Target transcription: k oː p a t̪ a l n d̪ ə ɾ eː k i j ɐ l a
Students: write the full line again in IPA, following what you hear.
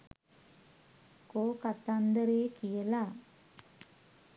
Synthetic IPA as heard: k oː k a t̪ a n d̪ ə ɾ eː k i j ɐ l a